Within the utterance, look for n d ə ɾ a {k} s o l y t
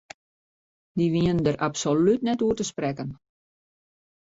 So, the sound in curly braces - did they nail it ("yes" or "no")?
no